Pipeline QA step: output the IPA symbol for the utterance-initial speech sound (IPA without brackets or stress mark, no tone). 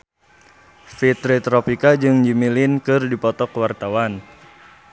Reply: f